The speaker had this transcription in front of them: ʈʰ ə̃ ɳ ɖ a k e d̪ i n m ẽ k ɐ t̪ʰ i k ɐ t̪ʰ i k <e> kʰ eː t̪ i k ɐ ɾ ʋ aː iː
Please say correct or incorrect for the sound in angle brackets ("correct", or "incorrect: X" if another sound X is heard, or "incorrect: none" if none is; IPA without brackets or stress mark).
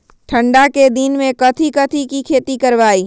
incorrect: i